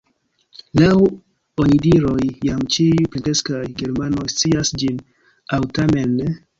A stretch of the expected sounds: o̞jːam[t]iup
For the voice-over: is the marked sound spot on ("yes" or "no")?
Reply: no